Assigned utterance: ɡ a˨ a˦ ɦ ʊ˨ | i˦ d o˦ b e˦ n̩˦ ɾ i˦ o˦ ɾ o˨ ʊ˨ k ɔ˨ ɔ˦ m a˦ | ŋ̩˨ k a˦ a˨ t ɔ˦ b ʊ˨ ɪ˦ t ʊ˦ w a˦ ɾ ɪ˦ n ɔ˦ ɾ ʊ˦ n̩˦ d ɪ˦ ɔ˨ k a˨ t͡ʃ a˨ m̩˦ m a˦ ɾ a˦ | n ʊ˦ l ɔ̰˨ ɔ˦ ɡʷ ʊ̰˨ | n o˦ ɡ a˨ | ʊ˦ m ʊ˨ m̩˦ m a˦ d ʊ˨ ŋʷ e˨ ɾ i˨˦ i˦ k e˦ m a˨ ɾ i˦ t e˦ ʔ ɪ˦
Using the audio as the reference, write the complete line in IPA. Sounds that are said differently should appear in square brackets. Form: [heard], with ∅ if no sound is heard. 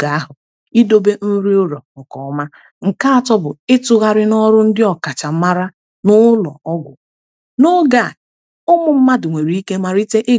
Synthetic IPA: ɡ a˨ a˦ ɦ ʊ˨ | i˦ d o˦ b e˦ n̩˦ ɾ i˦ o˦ ɾ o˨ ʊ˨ k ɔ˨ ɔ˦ m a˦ | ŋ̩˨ k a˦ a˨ t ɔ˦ b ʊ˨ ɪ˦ t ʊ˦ [ɣ] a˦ ɾ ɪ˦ n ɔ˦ ɾ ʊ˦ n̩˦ d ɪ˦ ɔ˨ k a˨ t͡ʃ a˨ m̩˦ m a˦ ɾ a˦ | n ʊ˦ l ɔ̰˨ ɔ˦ ɡʷ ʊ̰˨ | n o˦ ɡ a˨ | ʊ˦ m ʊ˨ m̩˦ m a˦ d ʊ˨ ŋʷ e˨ ɾ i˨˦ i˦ k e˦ m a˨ ɾ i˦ t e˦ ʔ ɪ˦

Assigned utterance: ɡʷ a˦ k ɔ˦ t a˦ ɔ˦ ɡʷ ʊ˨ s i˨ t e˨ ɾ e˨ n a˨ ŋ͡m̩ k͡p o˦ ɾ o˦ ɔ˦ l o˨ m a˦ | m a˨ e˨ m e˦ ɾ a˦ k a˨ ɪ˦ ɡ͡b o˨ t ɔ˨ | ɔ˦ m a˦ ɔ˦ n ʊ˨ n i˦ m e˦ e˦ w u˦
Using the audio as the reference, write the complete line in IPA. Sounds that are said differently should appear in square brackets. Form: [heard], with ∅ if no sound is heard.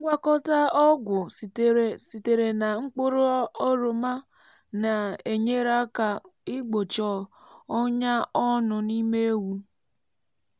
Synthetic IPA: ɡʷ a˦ k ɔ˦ t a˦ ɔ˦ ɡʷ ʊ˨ s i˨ t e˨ ɾ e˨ n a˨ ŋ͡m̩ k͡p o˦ ɾ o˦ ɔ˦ [ɾ] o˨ m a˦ | [n] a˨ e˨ [ɲ] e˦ ɾ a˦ k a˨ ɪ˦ ɡ͡b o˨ [t͡ʃ] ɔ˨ | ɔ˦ [ɲ] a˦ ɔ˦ n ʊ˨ n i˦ m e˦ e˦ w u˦

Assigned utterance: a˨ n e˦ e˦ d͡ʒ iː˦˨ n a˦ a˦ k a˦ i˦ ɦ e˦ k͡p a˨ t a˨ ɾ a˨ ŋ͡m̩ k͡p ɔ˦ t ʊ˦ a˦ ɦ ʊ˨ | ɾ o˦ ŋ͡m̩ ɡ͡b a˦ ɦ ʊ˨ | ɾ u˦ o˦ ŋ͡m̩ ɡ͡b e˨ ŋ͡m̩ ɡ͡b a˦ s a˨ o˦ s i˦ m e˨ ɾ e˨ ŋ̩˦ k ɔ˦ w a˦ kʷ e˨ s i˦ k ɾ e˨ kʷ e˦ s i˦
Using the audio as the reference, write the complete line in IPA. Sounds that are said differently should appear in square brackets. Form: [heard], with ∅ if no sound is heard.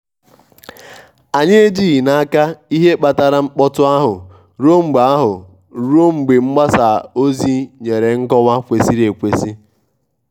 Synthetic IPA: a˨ [ɲ] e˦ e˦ d͡ʒ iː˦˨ n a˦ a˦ k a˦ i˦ ɦ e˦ k͡p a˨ t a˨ ɾ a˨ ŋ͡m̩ k͡p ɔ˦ t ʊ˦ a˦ ɦ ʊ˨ | ɾ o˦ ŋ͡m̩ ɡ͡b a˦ ɦ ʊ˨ | ɾ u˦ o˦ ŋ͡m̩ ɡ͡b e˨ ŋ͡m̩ ɡ͡b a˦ s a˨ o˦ [z] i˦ [ɲ] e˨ ɾ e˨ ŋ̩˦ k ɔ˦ w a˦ kʷ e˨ s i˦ [∅] ɾ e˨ kʷ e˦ s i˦

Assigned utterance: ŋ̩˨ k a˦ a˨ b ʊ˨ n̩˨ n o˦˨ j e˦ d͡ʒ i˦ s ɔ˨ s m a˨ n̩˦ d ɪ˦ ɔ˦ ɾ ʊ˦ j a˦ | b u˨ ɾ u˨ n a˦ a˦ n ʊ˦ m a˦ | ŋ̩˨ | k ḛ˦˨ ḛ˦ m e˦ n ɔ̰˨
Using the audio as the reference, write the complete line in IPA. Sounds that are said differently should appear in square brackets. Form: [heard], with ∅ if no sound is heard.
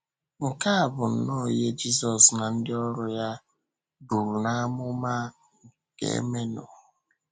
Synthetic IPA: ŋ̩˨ k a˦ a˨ b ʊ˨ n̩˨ n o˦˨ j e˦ d͡ʒ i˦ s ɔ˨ s [n] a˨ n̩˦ d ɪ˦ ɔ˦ ɾ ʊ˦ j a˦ | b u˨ ɾ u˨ n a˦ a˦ [m] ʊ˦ m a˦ | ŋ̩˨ | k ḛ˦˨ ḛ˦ m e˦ n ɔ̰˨

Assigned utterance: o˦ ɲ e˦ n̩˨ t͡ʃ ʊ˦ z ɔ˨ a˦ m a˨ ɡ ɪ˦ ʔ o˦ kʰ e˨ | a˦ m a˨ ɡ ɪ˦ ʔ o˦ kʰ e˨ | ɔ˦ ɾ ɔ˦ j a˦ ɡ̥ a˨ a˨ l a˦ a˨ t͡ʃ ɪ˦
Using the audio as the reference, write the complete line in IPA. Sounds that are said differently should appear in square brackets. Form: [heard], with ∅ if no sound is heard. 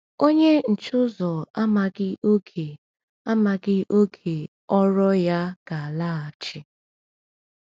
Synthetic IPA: o˦ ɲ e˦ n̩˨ t͡ʃ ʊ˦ z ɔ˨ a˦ m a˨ ɡ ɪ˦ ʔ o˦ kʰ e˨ | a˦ m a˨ ɡ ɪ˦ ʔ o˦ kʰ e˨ | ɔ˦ ɾ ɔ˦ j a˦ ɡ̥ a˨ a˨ l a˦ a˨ t͡ʃ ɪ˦

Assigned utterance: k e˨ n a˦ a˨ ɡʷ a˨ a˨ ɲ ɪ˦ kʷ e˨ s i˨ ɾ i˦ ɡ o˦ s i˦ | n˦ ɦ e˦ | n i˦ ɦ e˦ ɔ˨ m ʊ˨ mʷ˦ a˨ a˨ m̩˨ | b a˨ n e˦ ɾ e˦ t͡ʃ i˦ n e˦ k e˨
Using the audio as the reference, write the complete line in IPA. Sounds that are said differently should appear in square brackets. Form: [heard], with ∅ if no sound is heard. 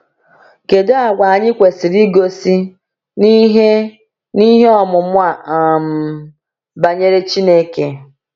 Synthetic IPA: k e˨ [d] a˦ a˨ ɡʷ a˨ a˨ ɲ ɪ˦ kʷ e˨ s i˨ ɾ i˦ ɡ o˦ s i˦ | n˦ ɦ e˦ | n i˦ ɦ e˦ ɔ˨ m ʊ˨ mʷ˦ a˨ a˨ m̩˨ | b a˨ [ɲ] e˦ ɾ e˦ t͡ʃ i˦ n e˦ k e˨

